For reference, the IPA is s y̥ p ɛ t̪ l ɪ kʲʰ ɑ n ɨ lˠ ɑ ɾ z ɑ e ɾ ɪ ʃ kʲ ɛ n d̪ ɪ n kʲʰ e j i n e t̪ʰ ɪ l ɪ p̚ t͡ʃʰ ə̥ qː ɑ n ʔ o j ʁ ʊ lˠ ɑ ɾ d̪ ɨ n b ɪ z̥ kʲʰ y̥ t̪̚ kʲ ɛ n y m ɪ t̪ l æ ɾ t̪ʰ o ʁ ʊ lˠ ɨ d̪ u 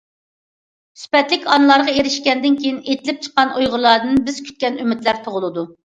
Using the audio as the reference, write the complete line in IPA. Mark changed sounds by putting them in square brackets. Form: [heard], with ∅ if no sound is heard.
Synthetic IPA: s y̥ p ɛ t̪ l ɪ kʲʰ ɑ n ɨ lˠ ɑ ɾ [ʁ] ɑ e ɾ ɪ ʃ kʲ ɛ n d̪ ɪ n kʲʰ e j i n e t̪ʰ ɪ l ɪ p̚ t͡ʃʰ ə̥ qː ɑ n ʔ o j ʁ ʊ lˠ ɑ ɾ d̪ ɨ n b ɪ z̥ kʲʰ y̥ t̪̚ kʲ ɛ n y m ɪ t̪ l æ ɾ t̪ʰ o ʁ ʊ lˠ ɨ d̪ u